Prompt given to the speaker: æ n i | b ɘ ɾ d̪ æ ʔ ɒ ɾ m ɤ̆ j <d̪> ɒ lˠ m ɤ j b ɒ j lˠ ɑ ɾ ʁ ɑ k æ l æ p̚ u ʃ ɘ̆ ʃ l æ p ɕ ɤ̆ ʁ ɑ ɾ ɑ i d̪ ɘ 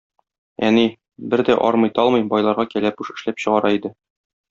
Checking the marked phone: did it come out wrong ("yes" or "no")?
yes